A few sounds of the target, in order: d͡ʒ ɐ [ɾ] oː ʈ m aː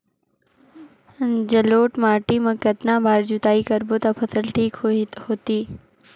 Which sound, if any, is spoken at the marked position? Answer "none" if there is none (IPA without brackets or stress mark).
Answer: l